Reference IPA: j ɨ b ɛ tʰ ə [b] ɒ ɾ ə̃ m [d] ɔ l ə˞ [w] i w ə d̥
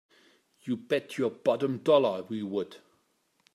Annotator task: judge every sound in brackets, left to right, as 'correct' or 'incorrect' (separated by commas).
correct, correct, correct